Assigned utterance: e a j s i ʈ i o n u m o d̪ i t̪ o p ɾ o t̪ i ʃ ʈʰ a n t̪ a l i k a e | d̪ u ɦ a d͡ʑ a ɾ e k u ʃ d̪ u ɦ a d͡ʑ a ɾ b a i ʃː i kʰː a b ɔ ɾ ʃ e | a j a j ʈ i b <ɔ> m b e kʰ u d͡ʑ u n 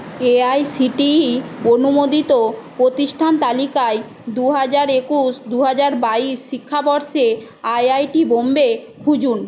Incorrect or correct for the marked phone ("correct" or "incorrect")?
incorrect